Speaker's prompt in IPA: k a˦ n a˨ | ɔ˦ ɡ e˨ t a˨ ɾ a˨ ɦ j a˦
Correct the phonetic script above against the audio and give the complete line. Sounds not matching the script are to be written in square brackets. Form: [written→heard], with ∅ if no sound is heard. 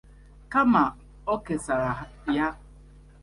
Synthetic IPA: k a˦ [n→m] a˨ | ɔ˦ [ɡ→k] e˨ [t→s] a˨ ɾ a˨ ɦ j a˦